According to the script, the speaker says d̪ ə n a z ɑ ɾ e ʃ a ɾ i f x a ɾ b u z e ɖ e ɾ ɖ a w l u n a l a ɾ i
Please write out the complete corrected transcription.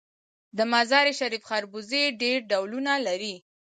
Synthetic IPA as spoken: d̪ ə m a z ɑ ɾ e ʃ a ɾ i f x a ɾ b u z e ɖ e ɾ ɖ a w l u n a l a ɾ i